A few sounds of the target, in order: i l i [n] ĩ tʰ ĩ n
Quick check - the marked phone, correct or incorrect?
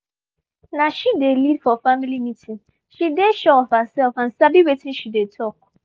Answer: incorrect